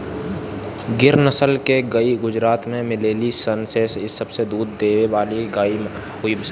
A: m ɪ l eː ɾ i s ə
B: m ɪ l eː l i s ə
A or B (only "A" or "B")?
B